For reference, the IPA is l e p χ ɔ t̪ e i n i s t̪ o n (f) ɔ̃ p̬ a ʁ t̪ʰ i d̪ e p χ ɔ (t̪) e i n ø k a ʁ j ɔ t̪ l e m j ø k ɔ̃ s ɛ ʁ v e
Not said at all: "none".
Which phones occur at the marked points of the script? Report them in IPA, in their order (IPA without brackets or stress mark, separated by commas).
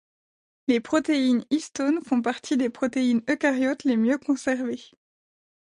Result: f, t̪